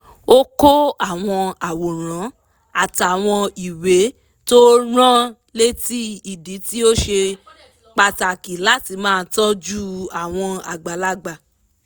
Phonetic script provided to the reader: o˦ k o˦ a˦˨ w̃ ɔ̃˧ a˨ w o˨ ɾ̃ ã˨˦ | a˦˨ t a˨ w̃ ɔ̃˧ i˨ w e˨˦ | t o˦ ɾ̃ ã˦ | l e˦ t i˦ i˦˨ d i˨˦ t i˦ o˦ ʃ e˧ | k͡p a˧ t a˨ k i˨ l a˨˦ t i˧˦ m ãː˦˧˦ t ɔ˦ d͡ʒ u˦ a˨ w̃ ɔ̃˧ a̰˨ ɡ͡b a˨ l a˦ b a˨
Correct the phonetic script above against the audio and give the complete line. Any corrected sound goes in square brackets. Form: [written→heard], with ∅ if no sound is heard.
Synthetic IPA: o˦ k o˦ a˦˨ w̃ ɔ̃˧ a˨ w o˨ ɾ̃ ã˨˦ | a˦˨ t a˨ w̃ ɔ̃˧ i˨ w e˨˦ | t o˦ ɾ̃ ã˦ | l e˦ t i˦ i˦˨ d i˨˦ t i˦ o˦ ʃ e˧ | k͡p a˧ t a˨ k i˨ l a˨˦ t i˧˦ m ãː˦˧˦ t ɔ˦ d͡ʒ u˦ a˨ w̃ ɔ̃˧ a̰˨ ɡ͡b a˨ l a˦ [b→ɡ͡b] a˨